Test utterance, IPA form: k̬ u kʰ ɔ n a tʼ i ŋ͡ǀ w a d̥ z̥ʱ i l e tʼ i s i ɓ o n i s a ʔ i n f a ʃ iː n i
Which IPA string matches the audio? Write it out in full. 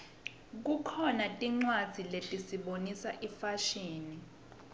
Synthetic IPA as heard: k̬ u kʰ ɔ n a tʼ i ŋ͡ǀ w a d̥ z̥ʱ i l e tʼ i s i ɓ o n i s a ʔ i f a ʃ iː n i

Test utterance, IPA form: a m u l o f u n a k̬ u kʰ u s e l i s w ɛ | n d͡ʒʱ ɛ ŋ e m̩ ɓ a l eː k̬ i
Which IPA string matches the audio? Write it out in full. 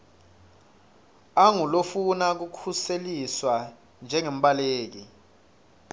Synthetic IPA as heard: a ŋ u l o f u n a k̬ u kʰ u s e l i s w a | n d͡ʒʱ ɛ ŋ e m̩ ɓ a l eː k̬ i

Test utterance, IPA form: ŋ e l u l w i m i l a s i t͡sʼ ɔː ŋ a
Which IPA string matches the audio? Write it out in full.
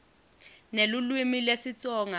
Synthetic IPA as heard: n e l u l w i m i l e s i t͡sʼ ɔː ŋ a

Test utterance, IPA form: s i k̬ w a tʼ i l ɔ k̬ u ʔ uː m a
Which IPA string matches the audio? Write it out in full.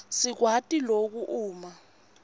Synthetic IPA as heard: s i k̬ w a tʼ i l o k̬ u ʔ uː m a

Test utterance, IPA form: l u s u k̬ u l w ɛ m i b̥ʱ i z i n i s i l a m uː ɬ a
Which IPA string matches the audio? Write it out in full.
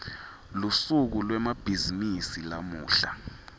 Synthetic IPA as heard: l u s u k̬ u l w ɛ m a b̥ʱ i z i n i s i l a m uː ɬ a

